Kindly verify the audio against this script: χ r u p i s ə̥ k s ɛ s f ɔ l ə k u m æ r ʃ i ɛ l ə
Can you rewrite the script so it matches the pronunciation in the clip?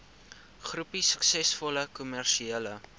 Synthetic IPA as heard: χ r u p i s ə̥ k s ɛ s f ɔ l ə k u m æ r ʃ i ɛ l ə